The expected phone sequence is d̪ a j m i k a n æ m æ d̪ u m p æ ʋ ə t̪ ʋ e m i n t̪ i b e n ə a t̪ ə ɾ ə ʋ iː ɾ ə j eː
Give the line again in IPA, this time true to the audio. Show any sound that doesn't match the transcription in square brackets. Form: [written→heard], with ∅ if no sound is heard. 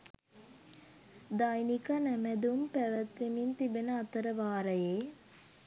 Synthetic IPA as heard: d̪ a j [m→n] i k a n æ m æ d̪ u m p æ ʋ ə t̪ ʋ e m i n t̪ i b e n ə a t̪ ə ɾ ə ʋ [iː→aː] ɾ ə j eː